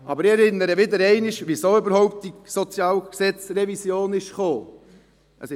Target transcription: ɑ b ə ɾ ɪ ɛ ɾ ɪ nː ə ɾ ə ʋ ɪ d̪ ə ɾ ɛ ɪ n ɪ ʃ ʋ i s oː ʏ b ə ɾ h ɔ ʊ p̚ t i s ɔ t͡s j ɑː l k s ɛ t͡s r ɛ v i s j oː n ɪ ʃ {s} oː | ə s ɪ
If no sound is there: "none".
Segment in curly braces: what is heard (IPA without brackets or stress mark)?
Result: χ